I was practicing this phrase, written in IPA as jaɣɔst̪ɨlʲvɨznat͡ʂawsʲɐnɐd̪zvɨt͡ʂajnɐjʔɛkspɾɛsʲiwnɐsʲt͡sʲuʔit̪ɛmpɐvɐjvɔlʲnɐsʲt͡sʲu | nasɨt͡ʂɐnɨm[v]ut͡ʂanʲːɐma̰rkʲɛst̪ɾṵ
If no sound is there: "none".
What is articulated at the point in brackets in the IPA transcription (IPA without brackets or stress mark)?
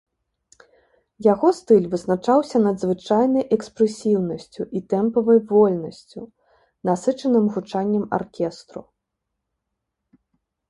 ɣ